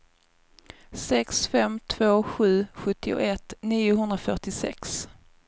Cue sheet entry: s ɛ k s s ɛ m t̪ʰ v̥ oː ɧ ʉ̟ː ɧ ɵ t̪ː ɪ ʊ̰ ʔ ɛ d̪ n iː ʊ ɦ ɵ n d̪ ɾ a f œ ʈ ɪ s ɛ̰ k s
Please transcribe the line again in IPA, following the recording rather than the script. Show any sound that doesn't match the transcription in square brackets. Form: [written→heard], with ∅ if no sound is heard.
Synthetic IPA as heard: s ɛ k s [s→f] ɛ m t̪ʰ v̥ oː ɧ ʉ̟ː ɧ ɵ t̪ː ɪ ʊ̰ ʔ ɛ [d̪→t̪] n iː ʊ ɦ ɵ n d̪ ɾ a f œ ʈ ɪ s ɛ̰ k s